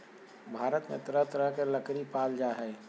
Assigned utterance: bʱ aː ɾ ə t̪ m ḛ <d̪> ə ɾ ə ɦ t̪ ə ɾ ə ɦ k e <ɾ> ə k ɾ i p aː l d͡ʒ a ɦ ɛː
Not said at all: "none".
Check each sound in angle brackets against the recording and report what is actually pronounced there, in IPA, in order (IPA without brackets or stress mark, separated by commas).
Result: t̪, l